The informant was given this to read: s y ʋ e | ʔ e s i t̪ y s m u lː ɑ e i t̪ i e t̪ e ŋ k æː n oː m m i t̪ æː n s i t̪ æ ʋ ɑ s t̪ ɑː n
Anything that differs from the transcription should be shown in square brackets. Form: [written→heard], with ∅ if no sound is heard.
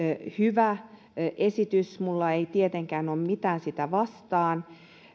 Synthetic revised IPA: [s→h] y ʋ [e→æ] | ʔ e s i t̪ y s m u lː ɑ e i t̪ i e t̪ e ŋ k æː n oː m m i t̪ æː n s i t̪ æ ʋ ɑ s t̪ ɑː n